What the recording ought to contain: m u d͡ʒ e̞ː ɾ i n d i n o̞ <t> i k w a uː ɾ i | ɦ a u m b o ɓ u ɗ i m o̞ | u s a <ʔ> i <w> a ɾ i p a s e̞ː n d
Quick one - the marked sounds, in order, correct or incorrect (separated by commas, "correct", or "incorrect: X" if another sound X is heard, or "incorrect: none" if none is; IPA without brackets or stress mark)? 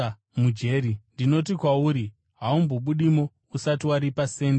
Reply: correct, incorrect: t, correct